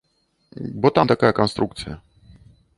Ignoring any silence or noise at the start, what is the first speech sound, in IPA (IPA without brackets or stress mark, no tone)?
b